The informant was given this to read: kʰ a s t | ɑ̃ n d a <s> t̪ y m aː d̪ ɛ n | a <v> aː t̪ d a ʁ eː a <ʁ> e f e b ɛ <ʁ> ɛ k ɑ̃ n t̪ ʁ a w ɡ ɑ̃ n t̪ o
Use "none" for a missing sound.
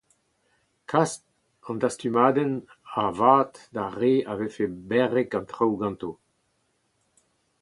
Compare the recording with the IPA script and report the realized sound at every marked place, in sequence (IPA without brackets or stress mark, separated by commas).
s, v, v, ʁ